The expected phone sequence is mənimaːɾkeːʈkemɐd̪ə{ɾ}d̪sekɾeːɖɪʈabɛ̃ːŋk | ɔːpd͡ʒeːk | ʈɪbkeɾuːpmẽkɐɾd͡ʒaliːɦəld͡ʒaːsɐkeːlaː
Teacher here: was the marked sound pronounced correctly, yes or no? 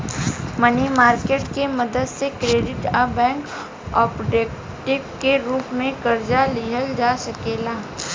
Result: no